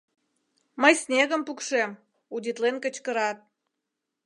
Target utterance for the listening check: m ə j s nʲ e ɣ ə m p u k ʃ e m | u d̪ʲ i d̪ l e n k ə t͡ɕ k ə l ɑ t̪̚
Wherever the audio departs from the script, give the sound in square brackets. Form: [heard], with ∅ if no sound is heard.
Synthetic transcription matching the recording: m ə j s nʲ e ɣ ə m p u k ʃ e m | u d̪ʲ i [t̪] l e n k ə t͡ɕ k ə [ɾ] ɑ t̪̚